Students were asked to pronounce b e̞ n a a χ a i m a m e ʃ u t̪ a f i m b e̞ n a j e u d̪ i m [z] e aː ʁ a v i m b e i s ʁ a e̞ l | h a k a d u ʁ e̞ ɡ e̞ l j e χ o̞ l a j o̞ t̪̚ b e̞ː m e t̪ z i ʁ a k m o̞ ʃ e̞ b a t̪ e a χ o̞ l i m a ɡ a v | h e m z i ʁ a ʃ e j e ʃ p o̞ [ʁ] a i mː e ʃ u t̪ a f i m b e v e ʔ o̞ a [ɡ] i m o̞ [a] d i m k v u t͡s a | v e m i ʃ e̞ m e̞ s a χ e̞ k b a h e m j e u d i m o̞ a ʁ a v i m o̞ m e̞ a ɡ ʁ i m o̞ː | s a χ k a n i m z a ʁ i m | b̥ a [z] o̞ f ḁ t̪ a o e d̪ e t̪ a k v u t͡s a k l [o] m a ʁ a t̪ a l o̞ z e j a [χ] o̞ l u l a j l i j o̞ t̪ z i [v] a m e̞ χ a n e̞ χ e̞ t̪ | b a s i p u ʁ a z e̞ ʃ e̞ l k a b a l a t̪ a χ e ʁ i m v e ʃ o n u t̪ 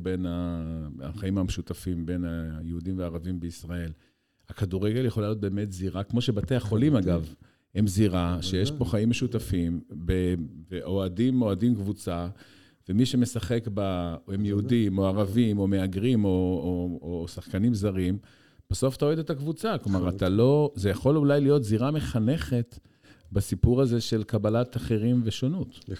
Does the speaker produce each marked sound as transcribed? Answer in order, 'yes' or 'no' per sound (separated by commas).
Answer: no, no, no, yes, no, yes, yes, no